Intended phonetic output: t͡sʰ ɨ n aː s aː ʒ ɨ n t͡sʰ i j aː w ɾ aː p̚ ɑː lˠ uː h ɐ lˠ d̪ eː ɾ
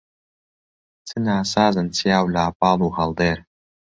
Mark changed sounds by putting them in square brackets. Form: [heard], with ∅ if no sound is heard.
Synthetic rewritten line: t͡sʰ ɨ n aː s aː [z] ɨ n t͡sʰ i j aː w [l] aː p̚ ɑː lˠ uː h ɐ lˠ d̪ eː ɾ